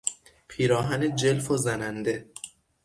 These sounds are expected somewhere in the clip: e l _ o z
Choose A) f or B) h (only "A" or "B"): A